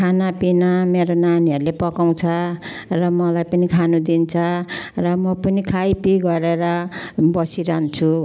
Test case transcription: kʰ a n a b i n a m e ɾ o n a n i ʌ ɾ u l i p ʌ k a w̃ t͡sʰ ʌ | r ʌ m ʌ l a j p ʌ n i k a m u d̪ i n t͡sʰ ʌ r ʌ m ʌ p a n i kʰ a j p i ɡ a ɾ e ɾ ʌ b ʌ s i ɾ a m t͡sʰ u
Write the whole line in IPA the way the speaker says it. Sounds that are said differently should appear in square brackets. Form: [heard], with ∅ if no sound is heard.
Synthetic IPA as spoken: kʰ a n a [p] i n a m e ɾ o n a n i ʌ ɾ u l [e] p ʌ k a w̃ t͡sʰ ʌ | r ʌ m ʌ l a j p ʌ n i [kʰ] a [n] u d̪ i n t͡sʰ ʌ r ʌ m ʌ p [ʌ] n i kʰ a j p i ɡ [ʌ] ɾ e ɾ ʌ b ʌ s i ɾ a [n] t͡sʰ u